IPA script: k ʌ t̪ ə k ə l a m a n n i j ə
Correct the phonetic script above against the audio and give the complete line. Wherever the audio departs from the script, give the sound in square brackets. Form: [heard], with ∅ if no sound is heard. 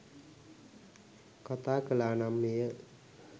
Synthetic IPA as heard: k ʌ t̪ [a] k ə l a [n] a [m] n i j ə